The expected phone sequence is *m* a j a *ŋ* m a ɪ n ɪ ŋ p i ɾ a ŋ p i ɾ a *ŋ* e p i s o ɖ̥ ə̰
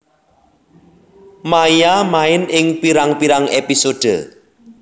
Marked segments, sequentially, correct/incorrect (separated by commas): correct, incorrect, correct